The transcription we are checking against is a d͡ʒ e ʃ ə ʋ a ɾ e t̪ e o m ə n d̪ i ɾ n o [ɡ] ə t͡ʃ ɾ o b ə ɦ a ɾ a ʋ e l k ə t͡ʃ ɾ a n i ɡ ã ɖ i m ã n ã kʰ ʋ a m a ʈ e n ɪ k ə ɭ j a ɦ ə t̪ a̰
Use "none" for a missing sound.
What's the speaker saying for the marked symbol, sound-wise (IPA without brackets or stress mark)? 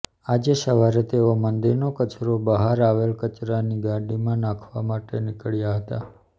k